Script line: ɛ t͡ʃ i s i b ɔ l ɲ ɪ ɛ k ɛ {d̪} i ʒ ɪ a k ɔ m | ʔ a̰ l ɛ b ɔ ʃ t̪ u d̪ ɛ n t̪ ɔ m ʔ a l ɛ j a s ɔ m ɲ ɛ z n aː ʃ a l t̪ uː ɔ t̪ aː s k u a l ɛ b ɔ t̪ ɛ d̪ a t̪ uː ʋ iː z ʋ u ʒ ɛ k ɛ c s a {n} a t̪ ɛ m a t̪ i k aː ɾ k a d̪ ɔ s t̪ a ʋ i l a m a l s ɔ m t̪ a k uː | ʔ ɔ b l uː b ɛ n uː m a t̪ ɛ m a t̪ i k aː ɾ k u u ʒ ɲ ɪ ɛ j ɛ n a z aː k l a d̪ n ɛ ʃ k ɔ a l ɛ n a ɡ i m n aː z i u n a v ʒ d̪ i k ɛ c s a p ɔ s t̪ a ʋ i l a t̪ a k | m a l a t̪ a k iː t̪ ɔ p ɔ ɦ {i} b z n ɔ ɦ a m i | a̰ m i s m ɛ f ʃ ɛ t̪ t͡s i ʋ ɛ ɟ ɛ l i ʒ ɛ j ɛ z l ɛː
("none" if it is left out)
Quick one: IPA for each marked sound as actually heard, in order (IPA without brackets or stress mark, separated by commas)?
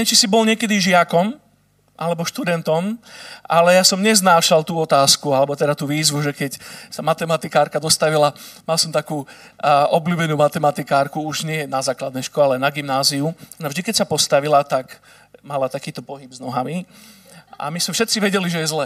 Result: d̪, m, i